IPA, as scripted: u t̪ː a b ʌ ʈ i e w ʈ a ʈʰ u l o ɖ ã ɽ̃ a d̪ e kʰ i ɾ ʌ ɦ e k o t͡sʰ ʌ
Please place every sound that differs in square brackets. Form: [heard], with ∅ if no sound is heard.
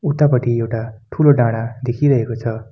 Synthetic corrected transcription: u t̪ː a [p] ʌ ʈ i e w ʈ a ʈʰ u l o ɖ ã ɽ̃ a d̪ e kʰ i ɾ ʌ ɦ e k o t͡sʰ ʌ